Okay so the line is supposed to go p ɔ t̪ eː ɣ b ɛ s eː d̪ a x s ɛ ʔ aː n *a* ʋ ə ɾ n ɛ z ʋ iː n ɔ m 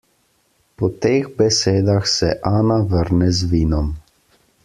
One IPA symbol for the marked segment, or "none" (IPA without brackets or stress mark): a